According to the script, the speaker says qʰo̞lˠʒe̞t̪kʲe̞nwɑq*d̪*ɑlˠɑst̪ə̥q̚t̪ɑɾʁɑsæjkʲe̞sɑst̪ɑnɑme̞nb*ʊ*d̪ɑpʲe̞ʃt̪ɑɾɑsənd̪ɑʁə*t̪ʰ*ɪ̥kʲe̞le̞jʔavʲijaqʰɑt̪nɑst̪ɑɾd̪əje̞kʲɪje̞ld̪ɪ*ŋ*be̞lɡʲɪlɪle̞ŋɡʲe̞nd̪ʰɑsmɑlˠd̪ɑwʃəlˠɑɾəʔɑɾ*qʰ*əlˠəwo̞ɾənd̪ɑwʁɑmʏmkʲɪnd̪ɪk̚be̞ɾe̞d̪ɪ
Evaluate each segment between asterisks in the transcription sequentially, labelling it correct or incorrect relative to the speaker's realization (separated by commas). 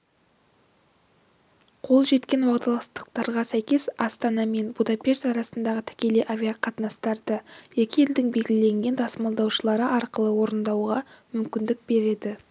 incorrect, incorrect, correct, correct, incorrect